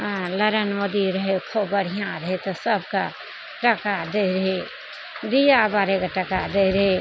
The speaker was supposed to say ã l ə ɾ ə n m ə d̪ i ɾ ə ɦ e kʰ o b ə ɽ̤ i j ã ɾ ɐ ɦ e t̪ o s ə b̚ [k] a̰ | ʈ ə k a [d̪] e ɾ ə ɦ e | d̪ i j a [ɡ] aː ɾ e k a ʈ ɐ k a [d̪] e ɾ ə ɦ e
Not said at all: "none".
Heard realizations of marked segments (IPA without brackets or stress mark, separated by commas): k, d̪, b, d̪